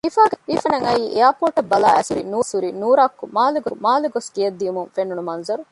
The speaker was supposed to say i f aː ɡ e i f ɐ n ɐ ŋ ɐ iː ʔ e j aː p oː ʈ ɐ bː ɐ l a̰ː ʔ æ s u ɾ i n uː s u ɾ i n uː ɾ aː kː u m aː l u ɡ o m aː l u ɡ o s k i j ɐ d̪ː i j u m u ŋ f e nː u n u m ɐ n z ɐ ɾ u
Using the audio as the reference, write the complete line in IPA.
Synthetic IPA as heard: i f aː ɡ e i f ɐ n ɐ ŋ ɐ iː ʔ e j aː p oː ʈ ɐ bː ɐ l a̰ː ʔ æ s u ɾ i n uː s u ɾ i n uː ɾ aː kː u m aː l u ɡ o m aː l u ɡ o s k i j ɐ d̪ː i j u m u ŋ f e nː u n u m ɐ n z ɐ ɾ u